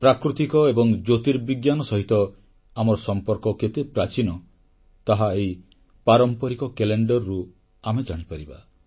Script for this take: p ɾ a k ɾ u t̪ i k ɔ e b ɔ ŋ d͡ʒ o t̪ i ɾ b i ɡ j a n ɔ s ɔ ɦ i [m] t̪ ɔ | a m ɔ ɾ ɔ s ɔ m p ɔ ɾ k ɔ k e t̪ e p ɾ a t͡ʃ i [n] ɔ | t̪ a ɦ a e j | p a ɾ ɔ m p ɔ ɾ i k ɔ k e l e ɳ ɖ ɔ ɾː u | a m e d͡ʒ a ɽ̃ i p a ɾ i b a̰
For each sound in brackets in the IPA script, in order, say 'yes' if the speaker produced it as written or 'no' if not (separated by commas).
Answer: no, yes